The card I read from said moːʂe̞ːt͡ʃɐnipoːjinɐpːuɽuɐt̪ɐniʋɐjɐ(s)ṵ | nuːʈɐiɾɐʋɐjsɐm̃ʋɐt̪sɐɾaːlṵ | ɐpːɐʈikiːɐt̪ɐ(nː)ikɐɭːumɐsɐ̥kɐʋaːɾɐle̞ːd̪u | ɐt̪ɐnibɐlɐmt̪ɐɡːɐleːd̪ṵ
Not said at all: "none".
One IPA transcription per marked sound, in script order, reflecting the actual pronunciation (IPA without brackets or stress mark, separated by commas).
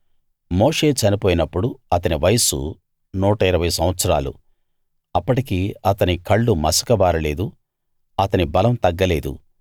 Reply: s, n